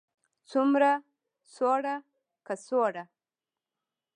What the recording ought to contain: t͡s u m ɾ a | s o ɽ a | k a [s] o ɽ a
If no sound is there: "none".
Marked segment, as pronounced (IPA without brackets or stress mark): s